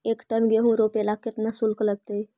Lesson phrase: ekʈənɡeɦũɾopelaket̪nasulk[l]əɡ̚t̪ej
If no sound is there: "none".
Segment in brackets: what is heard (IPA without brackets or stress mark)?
l